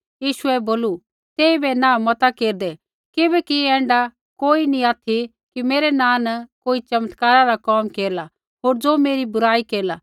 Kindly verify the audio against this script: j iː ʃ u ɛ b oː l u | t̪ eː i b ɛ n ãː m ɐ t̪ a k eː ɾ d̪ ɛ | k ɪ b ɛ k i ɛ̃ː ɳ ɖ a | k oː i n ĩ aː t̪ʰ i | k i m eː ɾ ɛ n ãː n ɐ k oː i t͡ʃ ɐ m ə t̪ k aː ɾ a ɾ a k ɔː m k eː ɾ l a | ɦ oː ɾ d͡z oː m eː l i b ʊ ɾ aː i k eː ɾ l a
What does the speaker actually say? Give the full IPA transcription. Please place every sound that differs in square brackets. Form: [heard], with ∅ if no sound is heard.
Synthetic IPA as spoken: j iː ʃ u ɛ b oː l u | t̪ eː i b ɛ n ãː m ɐ t̪ a k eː ɾ d̪ ɛ | k ɪ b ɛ k i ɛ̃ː ɳ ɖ a | k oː i n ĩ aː t̪ʰ i | k i m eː ɾ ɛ n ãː n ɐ k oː i t͡ʃ ɐ m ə t̪ k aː ɾ a ɾ a k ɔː m k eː ɾ l a | ɦ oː ɾ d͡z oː m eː [ɾ] i b ʊ ɾ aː i k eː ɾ l a